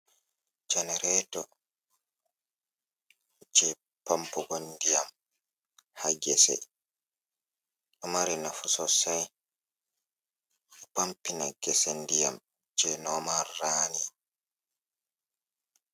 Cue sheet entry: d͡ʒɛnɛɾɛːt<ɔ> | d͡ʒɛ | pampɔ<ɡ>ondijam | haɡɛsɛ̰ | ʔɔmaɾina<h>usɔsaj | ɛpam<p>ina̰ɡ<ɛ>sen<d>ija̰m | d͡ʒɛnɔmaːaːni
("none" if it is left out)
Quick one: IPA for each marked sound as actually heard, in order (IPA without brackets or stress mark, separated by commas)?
ɔ, ɡ, f, p, ɛ, d